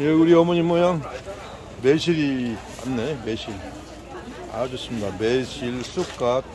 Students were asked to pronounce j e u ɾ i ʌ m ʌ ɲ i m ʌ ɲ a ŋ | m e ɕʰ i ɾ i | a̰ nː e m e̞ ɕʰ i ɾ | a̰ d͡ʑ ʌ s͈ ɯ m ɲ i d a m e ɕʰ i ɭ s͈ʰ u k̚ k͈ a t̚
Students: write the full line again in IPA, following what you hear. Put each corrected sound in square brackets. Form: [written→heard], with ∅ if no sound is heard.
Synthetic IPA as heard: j e u ɾ i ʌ m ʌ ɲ i m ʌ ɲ a ŋ | m e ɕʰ i ɾ i | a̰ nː e m e̞ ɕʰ i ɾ | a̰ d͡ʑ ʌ s͈ ɯ m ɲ i d a m e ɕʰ i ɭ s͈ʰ u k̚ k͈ a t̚

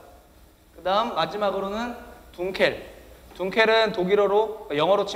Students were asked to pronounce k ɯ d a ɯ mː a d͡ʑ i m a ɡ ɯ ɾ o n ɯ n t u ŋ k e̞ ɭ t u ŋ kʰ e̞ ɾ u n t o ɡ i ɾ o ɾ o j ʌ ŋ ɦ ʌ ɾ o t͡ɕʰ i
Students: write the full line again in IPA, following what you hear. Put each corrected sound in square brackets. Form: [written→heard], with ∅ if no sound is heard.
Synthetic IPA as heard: k ɯ d a ɯ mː a d͡ʑ i m a ɡ ɯ ɾ o n ɯ n t u ŋ [k→kʰ] e̞ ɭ t u ŋ kʰ e̞ ɾ [u→ɯ] n t o ɡ i ɾ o ɾ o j ʌ ŋ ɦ ʌ ɾ o t͡ɕʰ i

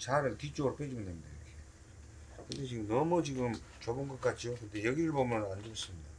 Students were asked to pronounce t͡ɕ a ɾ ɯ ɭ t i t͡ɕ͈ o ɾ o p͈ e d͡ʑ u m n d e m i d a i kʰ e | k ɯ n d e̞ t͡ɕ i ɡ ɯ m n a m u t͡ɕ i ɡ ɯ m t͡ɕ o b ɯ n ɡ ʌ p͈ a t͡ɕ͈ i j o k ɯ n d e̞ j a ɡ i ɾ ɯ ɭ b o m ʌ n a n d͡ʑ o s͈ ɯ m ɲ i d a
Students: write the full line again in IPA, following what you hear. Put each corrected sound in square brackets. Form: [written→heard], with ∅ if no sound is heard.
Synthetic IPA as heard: t͡ɕ a ɾ ɯ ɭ t i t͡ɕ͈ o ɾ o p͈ e d͡ʑ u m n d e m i d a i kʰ e | k ɯ n d e̞ t͡ɕ i ɡ ɯ m n [a→ʌ] m u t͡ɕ i ɡ ɯ m t͡ɕ o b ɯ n ɡ ʌ [p͈→k͈] a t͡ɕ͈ i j o k ɯ n d e̞ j [a→ʌ] ɡ i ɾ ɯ ɭ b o m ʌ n a n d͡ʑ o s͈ ɯ m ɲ i d a

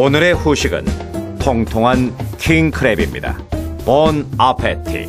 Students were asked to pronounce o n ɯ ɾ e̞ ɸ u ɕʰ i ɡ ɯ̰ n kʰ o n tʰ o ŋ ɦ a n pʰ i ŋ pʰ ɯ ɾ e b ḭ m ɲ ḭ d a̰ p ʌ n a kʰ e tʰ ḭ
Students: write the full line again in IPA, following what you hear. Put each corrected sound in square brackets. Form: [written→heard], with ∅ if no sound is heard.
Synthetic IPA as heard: o n ɯ ɾ e̞ ɸ u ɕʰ i ɡ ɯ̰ n [kʰ→tʰ] o [n→ŋ] tʰ o ŋ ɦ a n [pʰ→kʰ] i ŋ [pʰ→kʰ] ɯ ɾ e b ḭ m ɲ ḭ d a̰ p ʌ n a [kʰ→pʰ] e tʰ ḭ

